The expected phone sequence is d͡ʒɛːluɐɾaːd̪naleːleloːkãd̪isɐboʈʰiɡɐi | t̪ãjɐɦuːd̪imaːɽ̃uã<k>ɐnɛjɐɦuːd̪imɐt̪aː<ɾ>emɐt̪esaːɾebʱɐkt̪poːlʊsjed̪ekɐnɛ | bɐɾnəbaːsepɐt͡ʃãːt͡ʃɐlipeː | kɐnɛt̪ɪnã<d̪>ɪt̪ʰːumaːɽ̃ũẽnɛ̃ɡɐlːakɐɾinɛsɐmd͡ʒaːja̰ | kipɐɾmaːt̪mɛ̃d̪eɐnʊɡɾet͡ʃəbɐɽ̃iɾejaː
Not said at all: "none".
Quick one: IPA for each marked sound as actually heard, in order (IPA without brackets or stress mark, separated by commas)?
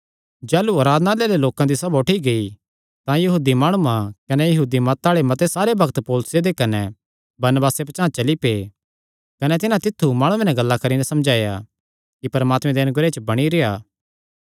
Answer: k, ɭ, t̪